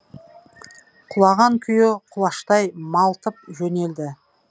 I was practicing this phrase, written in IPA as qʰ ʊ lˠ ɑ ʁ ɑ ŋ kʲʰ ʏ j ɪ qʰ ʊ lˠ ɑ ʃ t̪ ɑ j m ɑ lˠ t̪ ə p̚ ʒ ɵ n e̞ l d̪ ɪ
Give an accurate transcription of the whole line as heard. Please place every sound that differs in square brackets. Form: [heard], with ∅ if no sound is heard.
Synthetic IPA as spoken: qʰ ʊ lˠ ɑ ʁ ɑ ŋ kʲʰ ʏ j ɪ qʰ ʊ lˠ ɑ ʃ t̪ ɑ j m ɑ lˠ t̪ ə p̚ ʒ ɵ n e̞ l d̪ ɪ